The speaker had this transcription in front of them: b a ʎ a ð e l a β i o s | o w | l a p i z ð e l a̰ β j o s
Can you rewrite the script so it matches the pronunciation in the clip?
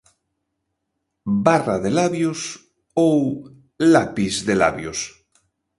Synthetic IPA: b a r a ð e l a β j o s | o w | l a p i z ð e l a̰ β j o s